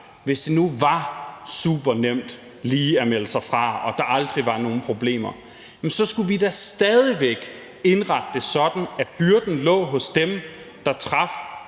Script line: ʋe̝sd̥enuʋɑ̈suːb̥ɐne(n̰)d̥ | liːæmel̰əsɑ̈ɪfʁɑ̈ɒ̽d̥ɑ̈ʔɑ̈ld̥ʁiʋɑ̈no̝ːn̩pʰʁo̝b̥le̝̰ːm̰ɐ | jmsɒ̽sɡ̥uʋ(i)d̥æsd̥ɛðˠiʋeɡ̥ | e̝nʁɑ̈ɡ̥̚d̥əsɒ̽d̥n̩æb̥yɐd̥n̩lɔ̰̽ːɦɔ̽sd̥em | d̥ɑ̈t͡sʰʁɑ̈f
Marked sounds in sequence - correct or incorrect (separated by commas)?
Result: incorrect, correct